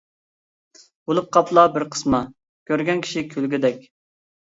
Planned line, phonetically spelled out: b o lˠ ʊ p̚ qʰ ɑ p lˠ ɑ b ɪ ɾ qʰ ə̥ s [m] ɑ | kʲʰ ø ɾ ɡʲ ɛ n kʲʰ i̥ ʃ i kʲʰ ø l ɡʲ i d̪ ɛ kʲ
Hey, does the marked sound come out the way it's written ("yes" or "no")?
yes